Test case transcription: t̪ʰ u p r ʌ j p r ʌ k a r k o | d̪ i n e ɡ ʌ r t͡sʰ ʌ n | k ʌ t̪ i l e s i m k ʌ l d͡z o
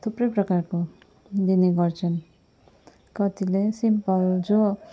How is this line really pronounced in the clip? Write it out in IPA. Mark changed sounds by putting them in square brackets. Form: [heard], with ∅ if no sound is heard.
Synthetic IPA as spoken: t̪ʰ u p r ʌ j p r ʌ k a r k o | d̪ i n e ɡ ʌ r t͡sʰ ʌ n | k ʌ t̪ i l e s i m [p] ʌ l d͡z o